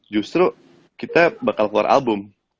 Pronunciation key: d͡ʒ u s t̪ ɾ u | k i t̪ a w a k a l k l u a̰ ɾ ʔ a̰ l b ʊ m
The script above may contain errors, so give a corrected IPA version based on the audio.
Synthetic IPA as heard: d͡ʒ u s t̪ ɾ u | k i t̪ a b a k a l k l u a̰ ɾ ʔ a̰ l b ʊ m